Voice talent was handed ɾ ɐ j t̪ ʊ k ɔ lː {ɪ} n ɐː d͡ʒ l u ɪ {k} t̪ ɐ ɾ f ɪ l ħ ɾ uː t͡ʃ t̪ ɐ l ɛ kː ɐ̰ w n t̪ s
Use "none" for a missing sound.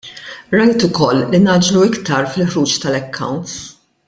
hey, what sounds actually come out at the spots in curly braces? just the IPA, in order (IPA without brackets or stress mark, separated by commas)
i, k